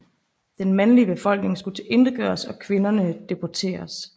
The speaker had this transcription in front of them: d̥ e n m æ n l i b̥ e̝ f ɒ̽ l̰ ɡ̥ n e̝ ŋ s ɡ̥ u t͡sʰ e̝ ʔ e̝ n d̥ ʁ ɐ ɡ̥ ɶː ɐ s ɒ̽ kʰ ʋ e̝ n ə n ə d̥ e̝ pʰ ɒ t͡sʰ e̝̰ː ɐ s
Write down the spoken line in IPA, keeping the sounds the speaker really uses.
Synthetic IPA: d̥ e n m æ n l i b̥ e̝ f ɒ̽ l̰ ɡ̥ n e̝ ŋ s ɡ̥ u t͡sʰ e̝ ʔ e̝ n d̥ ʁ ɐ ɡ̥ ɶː ɐ s ɒ̽ kʰ ʋ e̝ n ɐ n ə d̥ e̝ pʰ ɒ t͡sʰ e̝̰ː ɐ s